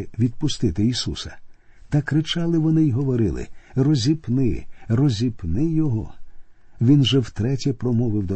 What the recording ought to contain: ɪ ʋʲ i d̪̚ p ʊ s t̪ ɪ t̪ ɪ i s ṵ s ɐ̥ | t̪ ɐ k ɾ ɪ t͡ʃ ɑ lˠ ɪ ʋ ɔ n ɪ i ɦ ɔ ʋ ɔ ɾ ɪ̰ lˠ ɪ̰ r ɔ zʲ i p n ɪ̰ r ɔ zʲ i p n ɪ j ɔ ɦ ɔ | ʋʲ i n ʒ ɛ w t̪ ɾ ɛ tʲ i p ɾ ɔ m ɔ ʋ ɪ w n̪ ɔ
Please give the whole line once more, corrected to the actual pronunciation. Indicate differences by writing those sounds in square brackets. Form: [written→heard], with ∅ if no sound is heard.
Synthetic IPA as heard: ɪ ʋʲ i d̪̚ p ʊ s t̪ ɪ t̪ ɪ i s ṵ s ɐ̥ | t̪ ɐ k ɾ ɪ t͡ʃ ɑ lˠ ɪ ʋ ɔ n ɪ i ɦ ɔ ʋ ɔ ɾ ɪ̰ lˠ ɪ̰ r ɔ zʲ i p n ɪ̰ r ɔ zʲ i p n ɪ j ɔ ɦ ɔ | ʋʲ i n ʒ ɛ w t̪ ɾ ɛ tʲ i p ɾ ɔ m ɔ ʋ ɪ w [n̪→d̪] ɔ